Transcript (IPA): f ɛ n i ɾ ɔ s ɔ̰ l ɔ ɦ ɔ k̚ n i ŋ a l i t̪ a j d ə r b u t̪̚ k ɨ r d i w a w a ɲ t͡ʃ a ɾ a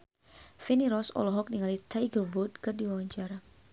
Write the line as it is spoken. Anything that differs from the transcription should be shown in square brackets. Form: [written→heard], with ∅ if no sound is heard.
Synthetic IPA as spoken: f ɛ n i ɾ ɔ s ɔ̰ l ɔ ɦ ɔ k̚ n i ŋ a l i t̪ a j [d→ɡ] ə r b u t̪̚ k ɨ r d i w a w a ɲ t͡ʃ a ɾ a